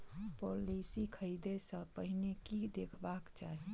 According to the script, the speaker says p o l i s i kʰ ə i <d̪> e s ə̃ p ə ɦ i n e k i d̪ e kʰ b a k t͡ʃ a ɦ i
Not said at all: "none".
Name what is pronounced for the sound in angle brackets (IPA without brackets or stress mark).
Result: d̪